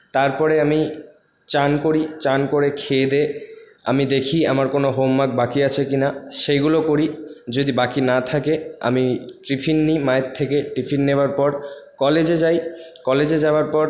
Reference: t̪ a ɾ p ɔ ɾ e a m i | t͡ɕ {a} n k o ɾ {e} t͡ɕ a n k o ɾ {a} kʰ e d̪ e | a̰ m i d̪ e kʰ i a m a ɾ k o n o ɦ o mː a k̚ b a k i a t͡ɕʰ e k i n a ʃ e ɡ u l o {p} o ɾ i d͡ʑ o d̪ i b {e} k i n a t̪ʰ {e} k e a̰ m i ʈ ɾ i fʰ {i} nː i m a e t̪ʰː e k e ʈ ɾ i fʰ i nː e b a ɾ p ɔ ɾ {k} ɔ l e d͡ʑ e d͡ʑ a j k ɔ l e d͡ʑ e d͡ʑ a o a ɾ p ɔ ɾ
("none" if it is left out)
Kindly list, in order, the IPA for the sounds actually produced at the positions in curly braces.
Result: a, i, e, k, a, a, i, k

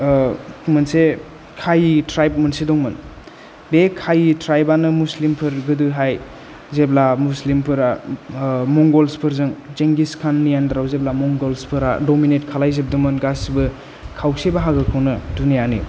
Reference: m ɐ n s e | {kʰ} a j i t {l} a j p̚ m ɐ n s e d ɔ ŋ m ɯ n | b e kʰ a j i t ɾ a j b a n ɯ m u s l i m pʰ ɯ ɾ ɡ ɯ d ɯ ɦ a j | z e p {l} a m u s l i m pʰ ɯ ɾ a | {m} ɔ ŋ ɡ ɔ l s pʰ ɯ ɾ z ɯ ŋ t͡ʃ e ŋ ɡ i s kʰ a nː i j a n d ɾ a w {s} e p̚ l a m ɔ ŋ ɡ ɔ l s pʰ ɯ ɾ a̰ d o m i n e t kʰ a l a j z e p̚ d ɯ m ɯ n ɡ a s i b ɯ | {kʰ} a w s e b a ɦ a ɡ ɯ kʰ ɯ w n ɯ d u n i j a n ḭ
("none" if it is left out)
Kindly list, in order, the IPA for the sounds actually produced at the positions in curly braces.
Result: kʰ, ɾ, l, m, z, kʰ

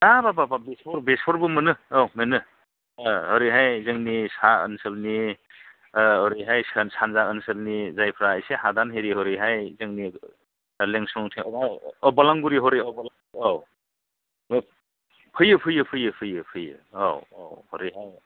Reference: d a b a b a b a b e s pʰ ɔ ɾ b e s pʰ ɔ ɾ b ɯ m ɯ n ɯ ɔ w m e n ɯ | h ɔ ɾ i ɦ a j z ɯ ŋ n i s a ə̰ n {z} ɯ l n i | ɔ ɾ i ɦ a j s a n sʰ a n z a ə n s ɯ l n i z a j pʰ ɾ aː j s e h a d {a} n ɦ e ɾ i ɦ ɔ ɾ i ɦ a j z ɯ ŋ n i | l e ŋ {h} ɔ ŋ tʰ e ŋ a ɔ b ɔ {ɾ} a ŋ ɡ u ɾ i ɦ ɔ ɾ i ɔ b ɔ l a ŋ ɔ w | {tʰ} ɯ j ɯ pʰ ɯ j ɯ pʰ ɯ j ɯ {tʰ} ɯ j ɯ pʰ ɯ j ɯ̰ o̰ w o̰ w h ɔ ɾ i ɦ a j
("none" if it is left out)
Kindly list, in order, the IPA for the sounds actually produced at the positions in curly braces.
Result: s, a, s, l, pʰ, pʰ

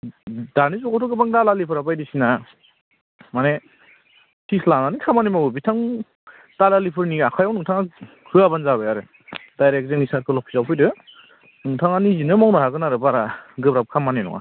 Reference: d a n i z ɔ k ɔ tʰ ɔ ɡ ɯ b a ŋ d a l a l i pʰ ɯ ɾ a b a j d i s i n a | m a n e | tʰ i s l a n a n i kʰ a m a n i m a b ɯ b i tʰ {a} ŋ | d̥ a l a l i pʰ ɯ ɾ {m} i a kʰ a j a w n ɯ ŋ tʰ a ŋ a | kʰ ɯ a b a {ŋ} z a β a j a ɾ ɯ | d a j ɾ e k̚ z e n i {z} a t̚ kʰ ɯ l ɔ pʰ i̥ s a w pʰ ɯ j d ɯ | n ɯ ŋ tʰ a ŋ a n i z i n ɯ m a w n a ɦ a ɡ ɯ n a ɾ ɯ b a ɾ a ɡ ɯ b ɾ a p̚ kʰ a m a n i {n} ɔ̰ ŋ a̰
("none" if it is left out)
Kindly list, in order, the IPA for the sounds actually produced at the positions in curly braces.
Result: a, n, n, s, n

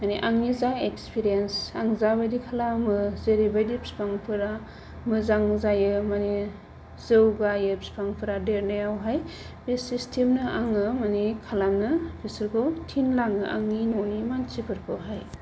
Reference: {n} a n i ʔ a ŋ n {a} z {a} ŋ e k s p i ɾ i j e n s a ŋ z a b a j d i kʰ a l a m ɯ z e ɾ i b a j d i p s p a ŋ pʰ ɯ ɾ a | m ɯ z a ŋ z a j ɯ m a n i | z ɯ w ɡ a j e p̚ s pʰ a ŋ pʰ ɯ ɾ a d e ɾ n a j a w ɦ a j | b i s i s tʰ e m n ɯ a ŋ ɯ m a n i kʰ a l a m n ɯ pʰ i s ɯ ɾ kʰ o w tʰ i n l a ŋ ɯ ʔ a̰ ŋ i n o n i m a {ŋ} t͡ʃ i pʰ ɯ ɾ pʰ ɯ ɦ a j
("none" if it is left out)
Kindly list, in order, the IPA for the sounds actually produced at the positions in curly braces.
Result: m, i, a, n

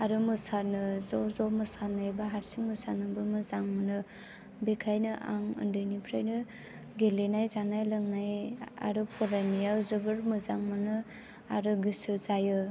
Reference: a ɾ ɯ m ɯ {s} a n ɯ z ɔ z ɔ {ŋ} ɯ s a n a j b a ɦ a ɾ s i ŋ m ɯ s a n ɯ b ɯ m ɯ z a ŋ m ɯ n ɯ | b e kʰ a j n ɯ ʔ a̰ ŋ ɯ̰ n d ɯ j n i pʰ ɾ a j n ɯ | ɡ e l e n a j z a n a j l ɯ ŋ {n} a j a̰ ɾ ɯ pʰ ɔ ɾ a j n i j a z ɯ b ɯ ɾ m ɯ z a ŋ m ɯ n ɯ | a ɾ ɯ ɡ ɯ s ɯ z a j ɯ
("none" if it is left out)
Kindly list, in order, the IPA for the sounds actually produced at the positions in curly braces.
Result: s, m, n

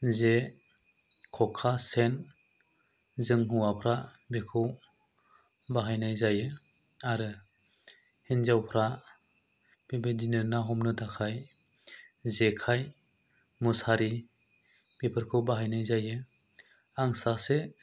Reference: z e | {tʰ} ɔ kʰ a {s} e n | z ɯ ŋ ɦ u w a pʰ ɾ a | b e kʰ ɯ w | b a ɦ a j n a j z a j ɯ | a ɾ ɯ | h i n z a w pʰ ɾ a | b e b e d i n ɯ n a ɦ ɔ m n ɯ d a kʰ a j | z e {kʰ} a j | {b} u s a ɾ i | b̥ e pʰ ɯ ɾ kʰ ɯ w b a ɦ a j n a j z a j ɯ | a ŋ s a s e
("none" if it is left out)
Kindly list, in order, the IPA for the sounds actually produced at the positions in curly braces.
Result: kʰ, s, kʰ, m

